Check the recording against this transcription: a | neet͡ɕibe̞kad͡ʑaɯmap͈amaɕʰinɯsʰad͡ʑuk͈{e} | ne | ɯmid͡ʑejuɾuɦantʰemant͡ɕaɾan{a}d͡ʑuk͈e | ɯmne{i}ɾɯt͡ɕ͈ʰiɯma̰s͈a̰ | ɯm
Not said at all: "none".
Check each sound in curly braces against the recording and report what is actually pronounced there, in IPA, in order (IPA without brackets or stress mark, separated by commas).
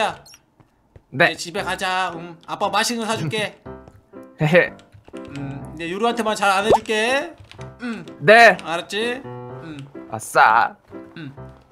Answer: e, e, a